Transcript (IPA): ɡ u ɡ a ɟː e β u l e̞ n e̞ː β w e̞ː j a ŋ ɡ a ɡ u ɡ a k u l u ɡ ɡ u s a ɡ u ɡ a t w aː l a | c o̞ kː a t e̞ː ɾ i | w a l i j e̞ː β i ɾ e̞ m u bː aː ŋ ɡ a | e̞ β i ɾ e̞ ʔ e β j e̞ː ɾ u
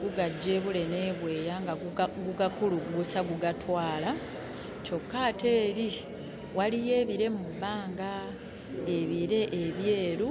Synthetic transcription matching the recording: ɡ u ɡ a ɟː e β u l e̞ n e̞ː β w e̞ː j a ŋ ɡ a ɡ u ɡ a k u l u ɡ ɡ u s a ɡ u ɡ a t w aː l a | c o̞ kː a t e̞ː ɾ i | w a l i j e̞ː β i ɾ e̞ m u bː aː ŋ ɡ a | e̞ β i ɾ e̞ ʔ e β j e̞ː ɾ u